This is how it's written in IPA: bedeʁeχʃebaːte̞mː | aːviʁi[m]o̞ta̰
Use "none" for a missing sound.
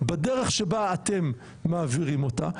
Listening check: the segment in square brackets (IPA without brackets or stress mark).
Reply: m